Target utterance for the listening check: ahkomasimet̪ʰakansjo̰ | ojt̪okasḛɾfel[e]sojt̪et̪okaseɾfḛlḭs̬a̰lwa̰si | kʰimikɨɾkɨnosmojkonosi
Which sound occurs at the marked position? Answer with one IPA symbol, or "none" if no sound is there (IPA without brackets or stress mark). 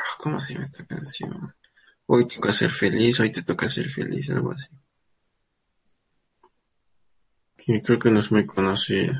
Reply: i